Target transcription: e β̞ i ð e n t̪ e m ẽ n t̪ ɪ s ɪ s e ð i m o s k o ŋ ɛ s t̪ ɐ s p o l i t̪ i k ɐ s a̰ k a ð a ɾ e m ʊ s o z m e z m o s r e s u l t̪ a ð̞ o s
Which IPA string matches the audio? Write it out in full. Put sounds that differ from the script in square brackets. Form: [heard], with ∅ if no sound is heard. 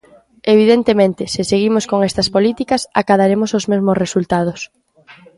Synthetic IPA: e β̞ i ð e n t̪ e m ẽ n t̪ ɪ s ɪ s e [ɣ] i m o s k o ŋ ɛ s t̪ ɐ s p o l i t̪ i k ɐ s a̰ k a ð a ɾ e m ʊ s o z m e z m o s r e s u l t̪ a ð̞ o s